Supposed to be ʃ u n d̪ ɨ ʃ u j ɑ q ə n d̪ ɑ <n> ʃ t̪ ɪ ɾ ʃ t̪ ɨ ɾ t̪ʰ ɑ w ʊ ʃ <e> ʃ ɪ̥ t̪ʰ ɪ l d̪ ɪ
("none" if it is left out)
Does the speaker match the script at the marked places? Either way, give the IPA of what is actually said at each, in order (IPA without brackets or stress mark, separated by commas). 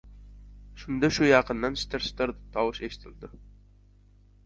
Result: n, e